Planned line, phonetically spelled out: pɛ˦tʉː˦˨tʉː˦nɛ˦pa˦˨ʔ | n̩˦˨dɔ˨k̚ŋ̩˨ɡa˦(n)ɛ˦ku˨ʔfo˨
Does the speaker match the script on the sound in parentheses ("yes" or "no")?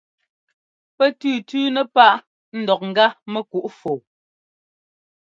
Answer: no